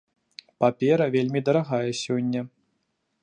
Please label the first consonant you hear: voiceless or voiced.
voiceless